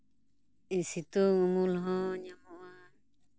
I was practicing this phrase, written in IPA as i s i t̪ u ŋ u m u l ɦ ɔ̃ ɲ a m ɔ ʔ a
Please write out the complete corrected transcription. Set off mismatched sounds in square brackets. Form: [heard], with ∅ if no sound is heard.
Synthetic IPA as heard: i s i t̪ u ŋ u m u l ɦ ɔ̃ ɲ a m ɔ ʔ a